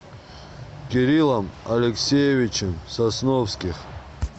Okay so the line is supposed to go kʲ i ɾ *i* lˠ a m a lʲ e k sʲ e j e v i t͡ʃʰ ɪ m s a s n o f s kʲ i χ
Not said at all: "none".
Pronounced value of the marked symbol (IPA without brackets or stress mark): i